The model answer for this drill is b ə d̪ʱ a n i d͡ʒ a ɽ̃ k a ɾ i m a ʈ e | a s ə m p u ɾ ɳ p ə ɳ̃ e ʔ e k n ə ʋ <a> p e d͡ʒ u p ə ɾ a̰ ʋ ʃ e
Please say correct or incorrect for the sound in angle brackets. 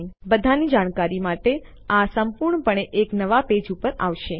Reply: correct